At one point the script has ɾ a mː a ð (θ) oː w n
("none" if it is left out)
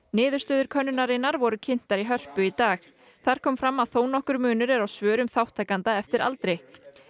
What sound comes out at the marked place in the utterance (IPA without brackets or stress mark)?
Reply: θ